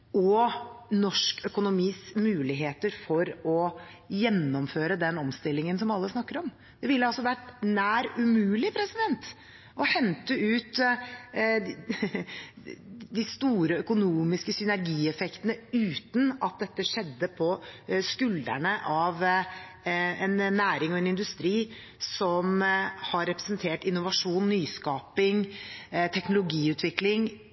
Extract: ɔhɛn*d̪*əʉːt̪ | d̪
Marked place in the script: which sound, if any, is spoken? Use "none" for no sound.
t̪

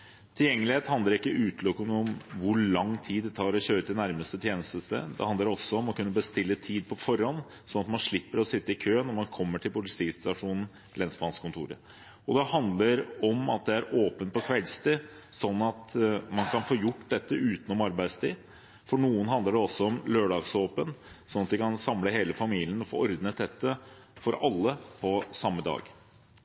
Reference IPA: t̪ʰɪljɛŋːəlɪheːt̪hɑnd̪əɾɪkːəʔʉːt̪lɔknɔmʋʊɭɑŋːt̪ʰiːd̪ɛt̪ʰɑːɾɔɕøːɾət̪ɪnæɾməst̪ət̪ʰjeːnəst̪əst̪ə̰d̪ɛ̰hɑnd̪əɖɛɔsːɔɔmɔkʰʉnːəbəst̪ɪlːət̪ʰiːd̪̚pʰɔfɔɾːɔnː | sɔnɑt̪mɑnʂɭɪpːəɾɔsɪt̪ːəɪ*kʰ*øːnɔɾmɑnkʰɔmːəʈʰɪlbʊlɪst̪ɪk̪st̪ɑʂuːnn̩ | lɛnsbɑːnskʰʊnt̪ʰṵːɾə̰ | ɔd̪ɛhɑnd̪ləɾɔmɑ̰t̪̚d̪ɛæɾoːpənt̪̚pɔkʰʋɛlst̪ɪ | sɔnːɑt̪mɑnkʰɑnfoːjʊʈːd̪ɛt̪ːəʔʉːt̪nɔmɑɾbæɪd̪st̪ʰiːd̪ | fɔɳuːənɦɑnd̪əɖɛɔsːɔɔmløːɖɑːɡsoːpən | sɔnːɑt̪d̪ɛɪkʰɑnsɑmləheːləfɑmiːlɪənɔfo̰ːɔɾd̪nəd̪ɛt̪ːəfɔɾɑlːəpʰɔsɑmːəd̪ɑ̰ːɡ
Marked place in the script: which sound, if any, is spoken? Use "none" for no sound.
kʰ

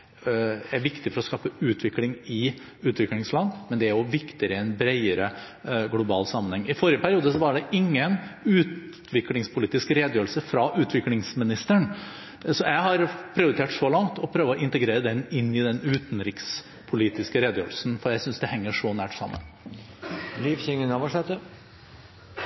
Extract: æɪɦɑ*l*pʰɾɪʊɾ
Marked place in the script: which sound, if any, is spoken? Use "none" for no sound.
ɾ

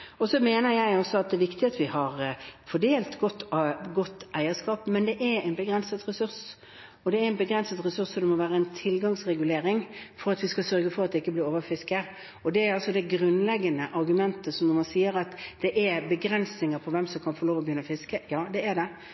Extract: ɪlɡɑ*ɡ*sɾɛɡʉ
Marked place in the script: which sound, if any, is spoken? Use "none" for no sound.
ŋ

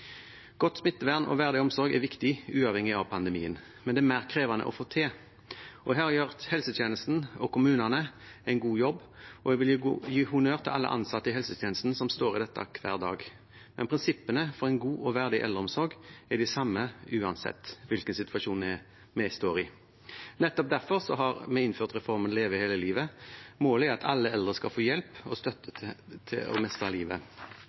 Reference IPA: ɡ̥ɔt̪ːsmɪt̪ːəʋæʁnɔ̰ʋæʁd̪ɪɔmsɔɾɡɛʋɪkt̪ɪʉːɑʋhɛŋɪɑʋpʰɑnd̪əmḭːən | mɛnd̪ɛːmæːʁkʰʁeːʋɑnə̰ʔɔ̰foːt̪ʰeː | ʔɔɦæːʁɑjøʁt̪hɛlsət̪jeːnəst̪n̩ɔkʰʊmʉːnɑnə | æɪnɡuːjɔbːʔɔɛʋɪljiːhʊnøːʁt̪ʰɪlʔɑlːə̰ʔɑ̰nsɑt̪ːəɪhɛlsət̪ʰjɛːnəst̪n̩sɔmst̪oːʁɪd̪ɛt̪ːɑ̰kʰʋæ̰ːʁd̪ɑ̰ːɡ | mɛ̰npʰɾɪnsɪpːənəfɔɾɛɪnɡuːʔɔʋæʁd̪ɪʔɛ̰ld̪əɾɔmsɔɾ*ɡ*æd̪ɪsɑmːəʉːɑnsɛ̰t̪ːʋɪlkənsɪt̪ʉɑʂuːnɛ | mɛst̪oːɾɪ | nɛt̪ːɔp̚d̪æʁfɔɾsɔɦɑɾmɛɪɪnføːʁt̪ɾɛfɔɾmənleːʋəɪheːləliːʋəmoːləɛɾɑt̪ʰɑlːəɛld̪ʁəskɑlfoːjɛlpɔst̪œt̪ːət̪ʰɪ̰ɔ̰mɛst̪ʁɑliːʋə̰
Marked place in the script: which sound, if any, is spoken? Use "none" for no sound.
ɡ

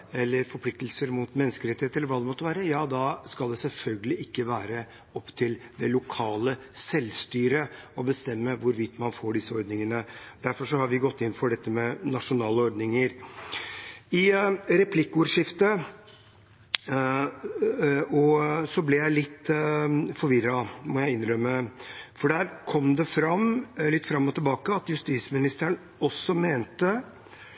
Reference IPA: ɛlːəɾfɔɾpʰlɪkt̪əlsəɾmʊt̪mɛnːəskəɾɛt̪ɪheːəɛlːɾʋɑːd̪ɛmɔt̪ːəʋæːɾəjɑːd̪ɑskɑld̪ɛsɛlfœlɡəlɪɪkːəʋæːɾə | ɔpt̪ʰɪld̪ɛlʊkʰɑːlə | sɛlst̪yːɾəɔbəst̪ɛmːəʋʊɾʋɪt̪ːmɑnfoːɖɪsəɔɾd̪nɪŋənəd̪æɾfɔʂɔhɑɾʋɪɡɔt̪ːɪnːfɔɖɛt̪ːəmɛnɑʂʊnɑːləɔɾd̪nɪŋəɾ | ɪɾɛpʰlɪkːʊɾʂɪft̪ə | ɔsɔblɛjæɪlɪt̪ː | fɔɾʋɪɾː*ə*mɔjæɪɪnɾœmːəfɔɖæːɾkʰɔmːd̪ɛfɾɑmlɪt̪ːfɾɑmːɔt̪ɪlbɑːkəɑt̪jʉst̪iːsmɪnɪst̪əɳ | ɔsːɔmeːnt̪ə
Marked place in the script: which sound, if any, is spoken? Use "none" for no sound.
ɑ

